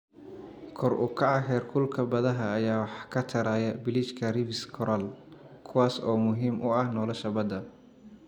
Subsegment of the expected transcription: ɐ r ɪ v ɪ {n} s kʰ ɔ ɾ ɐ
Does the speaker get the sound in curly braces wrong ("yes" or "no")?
yes